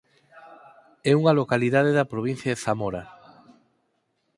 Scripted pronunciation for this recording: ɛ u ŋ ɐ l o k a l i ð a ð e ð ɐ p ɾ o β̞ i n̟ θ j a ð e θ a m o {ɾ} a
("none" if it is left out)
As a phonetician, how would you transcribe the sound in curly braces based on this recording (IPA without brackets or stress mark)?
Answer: ɾ